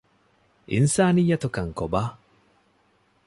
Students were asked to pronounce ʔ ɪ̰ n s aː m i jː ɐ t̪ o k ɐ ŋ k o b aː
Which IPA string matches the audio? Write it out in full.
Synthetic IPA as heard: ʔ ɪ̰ n s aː n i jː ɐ t̪ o k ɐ ŋ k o b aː